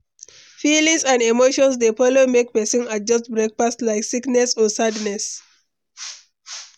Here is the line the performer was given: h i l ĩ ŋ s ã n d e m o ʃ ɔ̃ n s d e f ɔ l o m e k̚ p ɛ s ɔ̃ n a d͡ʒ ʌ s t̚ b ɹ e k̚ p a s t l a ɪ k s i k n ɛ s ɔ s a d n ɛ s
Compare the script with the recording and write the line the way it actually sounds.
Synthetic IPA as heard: f i l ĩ ŋ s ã n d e m o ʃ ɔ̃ n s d e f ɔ l o m e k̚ p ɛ s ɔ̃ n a d͡ʒ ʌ s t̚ b ɹ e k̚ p a s t l a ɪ k s i k n ɛ s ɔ s a d n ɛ s